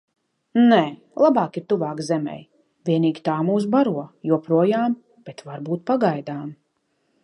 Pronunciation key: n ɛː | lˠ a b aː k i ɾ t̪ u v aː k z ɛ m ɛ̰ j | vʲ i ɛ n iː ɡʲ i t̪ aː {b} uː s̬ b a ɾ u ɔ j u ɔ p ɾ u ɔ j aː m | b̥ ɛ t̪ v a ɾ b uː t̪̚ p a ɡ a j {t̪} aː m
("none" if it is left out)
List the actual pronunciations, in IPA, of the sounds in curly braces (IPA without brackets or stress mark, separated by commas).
m, d̪